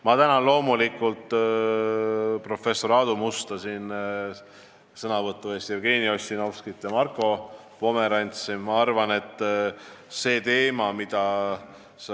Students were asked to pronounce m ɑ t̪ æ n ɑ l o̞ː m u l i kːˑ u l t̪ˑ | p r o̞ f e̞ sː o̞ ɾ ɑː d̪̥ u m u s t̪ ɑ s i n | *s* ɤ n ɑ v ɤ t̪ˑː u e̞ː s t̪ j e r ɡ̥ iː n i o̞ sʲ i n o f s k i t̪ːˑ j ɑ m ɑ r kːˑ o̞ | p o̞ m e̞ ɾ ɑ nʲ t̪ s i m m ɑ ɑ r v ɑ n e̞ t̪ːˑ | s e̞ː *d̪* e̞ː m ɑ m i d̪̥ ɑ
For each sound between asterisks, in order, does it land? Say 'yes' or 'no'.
yes, no

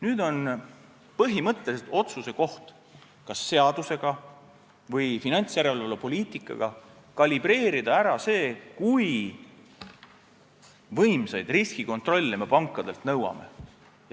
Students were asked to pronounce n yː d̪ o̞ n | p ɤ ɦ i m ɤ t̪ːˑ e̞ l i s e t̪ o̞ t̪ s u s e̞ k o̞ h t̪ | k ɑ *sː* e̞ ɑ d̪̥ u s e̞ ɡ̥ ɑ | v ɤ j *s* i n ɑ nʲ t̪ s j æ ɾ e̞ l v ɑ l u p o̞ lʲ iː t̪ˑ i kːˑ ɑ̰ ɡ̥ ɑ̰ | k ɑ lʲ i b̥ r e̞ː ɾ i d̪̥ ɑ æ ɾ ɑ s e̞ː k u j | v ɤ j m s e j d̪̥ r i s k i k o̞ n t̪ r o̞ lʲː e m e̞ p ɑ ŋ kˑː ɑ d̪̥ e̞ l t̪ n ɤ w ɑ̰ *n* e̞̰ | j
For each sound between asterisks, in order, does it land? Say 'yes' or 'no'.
yes, no, no

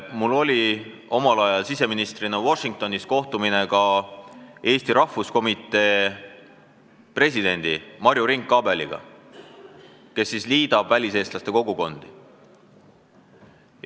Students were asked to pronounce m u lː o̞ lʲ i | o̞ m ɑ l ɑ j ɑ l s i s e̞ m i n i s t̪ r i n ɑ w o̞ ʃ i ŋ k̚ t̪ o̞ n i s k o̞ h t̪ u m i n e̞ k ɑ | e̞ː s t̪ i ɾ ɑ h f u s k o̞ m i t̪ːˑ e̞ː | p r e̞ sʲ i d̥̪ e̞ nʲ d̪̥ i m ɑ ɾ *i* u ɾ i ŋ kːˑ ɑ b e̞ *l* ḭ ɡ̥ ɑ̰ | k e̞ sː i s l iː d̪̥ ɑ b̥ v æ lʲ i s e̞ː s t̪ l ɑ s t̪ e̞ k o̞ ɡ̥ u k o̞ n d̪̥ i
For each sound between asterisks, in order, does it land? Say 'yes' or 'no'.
no, yes

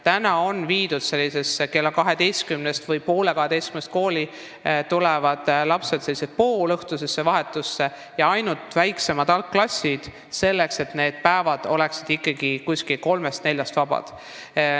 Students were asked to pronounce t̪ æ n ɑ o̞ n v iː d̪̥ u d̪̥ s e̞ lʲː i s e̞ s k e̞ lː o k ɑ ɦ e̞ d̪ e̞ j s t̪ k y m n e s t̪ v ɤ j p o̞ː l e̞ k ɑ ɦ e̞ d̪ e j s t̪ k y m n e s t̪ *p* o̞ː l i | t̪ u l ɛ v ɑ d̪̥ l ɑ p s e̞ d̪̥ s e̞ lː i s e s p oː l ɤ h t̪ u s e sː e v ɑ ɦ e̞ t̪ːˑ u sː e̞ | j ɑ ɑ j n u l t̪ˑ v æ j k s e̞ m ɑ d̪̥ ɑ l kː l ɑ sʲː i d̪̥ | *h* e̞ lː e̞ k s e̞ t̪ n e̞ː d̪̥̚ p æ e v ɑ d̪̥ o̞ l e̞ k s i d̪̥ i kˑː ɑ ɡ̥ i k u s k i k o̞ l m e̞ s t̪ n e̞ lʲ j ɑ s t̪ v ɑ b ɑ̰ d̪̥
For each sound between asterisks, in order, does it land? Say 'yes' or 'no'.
no, no

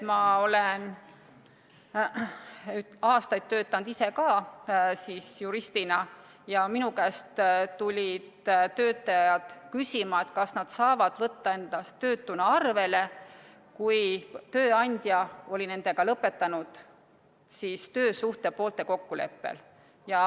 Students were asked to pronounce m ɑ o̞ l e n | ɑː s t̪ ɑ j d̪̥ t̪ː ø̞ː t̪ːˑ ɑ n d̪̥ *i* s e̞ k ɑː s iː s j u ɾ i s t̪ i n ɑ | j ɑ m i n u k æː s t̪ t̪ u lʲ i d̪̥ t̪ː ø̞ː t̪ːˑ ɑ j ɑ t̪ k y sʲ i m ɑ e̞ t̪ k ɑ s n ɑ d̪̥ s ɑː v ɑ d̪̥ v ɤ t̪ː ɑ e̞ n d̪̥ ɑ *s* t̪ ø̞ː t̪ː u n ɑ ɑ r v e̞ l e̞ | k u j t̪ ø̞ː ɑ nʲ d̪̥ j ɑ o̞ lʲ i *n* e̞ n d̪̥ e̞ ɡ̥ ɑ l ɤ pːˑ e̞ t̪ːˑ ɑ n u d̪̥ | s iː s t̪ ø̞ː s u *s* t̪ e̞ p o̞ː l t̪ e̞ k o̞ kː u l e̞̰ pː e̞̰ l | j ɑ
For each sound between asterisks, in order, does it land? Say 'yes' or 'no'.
yes, yes, yes, no

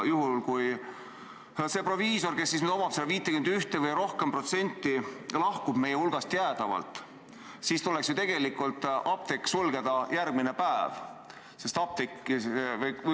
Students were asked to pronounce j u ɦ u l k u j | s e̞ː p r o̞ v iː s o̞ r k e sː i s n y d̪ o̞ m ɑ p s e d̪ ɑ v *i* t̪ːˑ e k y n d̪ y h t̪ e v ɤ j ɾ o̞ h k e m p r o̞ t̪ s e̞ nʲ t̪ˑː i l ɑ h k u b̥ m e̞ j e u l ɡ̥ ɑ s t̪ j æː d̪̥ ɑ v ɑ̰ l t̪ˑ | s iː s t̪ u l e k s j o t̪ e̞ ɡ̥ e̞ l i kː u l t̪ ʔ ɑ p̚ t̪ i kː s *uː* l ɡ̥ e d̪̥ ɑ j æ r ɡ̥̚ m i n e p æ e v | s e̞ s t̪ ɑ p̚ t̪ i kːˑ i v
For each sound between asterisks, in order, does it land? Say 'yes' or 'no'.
no, no

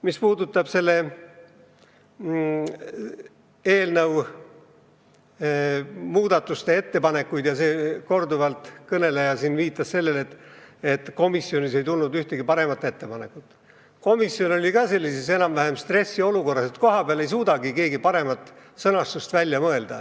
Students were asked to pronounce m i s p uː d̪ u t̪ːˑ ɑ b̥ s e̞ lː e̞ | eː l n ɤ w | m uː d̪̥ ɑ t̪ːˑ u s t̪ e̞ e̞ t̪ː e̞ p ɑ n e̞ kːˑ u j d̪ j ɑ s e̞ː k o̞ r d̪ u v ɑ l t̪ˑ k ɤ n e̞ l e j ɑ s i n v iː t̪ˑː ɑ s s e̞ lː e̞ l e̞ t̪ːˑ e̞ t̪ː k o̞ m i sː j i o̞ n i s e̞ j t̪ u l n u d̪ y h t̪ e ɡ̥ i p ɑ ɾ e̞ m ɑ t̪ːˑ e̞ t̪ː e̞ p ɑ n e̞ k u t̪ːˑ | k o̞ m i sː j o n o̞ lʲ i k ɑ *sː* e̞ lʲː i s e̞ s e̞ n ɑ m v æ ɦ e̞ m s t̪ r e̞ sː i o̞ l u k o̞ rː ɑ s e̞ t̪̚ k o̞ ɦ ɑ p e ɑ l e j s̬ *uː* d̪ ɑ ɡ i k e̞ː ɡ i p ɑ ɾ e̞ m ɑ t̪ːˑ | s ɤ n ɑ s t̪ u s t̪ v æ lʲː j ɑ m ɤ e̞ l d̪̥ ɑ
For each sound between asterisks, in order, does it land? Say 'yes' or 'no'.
no, yes

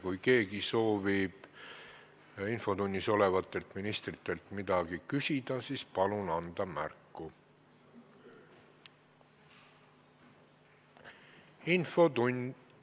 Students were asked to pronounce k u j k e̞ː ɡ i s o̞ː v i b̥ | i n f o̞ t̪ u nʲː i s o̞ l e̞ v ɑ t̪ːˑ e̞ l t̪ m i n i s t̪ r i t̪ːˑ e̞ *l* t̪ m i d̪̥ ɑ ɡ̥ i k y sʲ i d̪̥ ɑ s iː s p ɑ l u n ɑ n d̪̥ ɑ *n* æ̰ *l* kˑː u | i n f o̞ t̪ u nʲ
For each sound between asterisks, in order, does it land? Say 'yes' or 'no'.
yes, no, no

